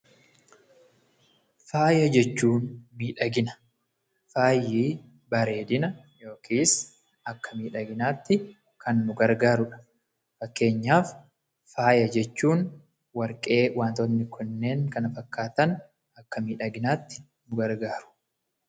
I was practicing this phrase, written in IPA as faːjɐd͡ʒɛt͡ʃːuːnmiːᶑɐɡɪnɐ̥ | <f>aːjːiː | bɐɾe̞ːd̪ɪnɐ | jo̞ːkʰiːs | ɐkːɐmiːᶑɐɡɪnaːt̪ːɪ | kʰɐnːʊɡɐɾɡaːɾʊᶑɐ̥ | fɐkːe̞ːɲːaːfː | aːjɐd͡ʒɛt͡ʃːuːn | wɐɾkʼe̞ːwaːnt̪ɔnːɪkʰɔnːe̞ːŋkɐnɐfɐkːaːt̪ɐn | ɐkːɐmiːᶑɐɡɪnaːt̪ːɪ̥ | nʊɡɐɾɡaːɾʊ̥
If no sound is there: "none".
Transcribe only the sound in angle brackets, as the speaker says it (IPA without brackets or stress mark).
f